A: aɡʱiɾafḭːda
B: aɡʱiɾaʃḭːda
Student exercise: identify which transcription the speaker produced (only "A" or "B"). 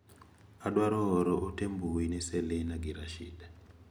B